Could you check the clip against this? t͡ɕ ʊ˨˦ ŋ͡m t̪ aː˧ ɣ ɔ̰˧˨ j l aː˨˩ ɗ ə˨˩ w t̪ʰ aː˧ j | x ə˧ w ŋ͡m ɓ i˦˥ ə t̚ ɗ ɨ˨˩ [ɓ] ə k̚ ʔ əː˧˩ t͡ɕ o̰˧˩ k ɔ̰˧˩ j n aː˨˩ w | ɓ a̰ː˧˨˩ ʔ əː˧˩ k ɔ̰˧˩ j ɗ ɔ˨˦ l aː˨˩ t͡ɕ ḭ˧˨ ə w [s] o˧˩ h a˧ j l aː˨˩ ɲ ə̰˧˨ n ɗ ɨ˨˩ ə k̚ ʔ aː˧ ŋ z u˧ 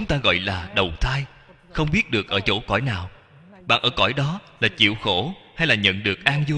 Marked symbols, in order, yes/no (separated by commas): no, no